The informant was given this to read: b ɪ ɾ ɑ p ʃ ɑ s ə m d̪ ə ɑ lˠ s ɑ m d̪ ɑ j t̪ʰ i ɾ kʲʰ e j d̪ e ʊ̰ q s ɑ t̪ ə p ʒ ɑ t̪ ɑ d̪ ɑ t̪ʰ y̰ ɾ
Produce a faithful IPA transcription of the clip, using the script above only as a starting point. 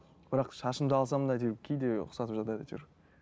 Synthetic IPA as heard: b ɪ ɾ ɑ q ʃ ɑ ʃ ə m d̪ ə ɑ lˠ s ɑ m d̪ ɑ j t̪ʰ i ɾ kʲʰ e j d̪ e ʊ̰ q s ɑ t̪ ə p ʒ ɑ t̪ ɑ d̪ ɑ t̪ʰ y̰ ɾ